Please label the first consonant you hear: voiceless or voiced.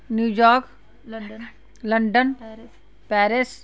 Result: voiced